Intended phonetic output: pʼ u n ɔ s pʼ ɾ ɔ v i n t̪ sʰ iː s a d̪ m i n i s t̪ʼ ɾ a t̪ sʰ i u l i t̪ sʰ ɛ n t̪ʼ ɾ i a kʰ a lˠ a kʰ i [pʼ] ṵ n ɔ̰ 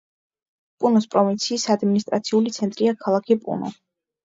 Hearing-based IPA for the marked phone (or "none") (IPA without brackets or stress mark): pʼ